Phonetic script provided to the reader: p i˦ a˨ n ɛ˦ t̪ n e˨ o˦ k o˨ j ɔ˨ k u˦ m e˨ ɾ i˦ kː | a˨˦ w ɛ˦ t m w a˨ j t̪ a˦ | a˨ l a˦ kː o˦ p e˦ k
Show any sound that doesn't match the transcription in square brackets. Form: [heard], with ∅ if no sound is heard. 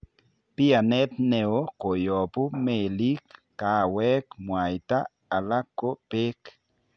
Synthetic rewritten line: p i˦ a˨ n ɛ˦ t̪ n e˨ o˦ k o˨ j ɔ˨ [p] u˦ m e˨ [l] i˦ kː | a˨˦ w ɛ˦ [k] m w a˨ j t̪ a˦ | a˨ l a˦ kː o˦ p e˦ k